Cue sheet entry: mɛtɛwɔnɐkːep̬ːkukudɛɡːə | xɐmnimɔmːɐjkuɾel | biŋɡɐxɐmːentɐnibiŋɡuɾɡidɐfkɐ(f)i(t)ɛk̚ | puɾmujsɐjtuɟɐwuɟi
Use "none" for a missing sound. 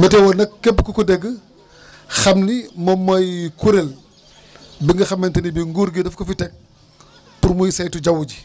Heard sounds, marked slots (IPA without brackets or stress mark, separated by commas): f, t